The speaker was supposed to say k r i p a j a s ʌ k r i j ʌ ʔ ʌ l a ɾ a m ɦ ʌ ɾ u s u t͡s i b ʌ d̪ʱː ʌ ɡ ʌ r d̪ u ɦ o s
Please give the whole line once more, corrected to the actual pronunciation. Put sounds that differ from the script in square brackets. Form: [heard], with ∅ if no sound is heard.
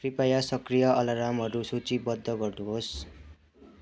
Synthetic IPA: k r i p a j a s ʌ k r i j ʌ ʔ ʌ l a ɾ a m ɦ ʌ ɾ u s u t͡s i b ʌ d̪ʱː ʌ ɡ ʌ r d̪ u ɦ o s